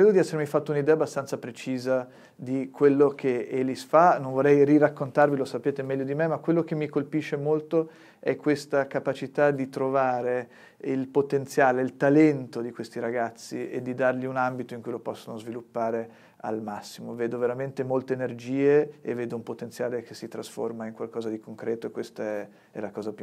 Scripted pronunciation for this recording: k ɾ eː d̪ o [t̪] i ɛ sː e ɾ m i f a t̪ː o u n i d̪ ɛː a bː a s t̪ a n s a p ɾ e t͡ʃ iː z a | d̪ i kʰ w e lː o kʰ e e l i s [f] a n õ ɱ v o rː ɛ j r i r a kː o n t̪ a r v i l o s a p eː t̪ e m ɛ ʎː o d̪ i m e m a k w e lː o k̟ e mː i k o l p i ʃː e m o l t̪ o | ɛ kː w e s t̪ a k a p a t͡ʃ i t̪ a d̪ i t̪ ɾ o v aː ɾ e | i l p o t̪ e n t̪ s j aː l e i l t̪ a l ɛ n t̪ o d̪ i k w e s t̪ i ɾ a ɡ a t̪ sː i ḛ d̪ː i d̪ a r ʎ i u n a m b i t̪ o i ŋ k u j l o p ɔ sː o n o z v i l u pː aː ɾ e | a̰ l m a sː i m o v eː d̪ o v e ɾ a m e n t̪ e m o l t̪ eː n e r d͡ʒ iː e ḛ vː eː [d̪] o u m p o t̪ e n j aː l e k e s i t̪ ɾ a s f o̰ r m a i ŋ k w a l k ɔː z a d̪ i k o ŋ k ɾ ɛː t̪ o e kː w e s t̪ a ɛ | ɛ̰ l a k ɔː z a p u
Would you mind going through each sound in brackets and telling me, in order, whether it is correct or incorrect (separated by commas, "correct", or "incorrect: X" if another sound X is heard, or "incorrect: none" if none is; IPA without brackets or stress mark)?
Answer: incorrect: d̪, correct, correct